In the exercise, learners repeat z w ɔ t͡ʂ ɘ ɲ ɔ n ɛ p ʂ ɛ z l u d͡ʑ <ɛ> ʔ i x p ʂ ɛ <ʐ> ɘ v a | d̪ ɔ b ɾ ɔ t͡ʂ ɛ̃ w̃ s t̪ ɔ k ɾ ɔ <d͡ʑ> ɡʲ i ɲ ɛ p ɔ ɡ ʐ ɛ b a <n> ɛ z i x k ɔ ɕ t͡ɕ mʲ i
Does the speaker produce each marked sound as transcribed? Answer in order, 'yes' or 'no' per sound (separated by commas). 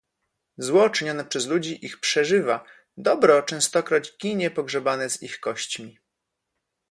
no, yes, yes, yes